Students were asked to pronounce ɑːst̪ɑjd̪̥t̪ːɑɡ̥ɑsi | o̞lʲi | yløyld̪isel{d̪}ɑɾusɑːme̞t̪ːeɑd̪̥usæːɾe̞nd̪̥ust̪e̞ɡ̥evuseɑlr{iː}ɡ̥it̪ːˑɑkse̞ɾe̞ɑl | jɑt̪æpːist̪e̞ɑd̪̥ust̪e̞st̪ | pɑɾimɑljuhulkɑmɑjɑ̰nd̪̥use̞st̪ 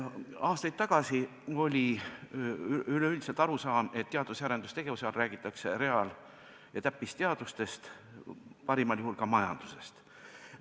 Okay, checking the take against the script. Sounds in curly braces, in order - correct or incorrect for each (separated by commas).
incorrect, incorrect